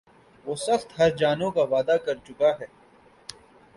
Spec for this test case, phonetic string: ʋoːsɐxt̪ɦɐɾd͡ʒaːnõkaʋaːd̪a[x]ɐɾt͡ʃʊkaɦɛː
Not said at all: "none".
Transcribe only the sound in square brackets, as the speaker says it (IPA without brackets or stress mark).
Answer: k